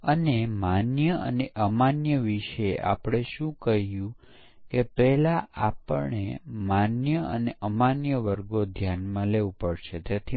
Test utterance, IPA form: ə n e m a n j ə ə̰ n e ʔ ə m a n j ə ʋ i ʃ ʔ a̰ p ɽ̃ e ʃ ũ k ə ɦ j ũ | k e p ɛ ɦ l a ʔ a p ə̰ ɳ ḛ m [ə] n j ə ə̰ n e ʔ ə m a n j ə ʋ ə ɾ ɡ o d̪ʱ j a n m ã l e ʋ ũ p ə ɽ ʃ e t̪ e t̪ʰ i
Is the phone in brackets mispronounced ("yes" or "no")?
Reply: yes